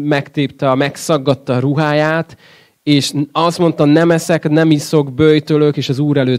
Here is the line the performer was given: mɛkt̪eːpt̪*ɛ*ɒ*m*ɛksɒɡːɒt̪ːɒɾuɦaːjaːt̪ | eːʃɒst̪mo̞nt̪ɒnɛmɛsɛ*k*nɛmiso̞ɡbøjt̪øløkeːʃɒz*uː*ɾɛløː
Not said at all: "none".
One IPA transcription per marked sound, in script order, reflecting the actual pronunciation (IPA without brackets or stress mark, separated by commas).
ɛ, m, k, uː